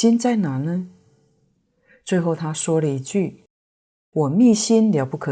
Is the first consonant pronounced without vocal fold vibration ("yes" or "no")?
no